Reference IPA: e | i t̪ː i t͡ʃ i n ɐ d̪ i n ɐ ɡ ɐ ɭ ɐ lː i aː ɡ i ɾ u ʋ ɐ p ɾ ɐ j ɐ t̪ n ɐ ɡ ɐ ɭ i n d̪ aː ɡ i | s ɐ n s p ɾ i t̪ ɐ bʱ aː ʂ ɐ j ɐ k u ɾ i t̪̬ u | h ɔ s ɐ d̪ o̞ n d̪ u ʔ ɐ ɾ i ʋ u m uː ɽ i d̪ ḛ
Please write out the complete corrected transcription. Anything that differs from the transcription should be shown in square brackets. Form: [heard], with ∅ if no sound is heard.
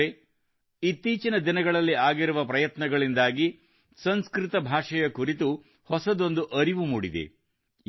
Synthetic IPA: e | i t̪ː [iː] t͡ʃ i n ɐ d̪ i n ɐ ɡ ɐ ɭ ɐ lː i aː ɡ i ɾ u ʋ ɐ p ɾ ɐ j ɐ t̪ n ɐ ɡ ɐ ɭ i n d̪ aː ɡ i | s ɐ n s [k] ɾ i t̪ ɐ bʱ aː ʂ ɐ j ɐ k u ɾ i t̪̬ u | h ɔ s ɐ d̪ o̞ n d̪ u ʔ ɐ ɾ i ʋ u m uː ɽ i d̪ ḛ

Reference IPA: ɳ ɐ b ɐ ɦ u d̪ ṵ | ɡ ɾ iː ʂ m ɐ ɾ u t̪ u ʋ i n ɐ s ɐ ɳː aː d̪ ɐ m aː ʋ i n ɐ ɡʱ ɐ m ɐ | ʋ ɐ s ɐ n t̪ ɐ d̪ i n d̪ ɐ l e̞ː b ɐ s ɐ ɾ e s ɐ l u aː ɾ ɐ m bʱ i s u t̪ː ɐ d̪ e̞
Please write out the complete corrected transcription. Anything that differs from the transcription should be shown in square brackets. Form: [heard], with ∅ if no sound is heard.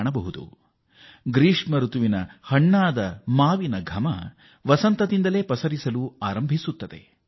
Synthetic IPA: ɳ ɐ b ɐ ɦ u d̪ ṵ | ɡ ɾ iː ʂ m ɐ ɾ u t̪ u ʋ i n ɐ [h] ɐ ɳː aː d̪ ɐ m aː ʋ i n ɐ ɡʱ ɐ m ɐ | ʋ ɐ s ɐ n t̪ ɐ d̪ i n d̪ ɐ l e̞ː [p] ɐ s ɐ ɾ [i] s ɐ l u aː ɾ ɐ m bʱ i s u t̪ː ɐ d̪ e̞

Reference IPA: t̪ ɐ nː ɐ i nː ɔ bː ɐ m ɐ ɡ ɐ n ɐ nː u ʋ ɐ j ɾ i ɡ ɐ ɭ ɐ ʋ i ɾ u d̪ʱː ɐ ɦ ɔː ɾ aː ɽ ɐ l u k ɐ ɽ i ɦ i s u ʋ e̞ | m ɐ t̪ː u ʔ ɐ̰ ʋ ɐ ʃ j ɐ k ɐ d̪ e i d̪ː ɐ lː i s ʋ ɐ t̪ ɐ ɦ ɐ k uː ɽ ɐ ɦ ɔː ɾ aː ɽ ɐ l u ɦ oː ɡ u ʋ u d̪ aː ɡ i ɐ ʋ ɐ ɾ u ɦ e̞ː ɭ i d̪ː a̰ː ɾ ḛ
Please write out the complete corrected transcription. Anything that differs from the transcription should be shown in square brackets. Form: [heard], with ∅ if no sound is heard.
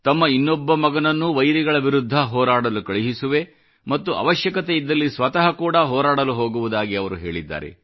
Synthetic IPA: t̪ ɐ [mː] ɐ i nː ɔ bː ɐ m ɐ ɡ ɐ n ɐ nː u ʋ ɐ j ɾ i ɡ ɐ ɭ ɐ ʋ i ɾ u d̪ʱː ɐ ɦ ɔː ɾ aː ɽ ɐ l u k ɐ [ɭ] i ɦ i s u ʋ e̞ | m ɐ t̪ː u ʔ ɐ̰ ʋ ɐ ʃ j ɐ k ɐ [t̪] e i d̪ː ɐ lː i s ʋ ɐ t̪ ɐ ɦ ɐ k uː ɽ ɐ ɦ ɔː ɾ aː ɽ ɐ l u ɦ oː ɡ u ʋ u d̪ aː ɡ i ɐ ʋ ɐ ɾ u ɦ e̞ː ɭ i d̪ː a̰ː ɾ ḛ

